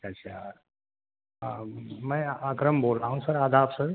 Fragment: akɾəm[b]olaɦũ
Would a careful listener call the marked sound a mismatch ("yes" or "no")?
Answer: no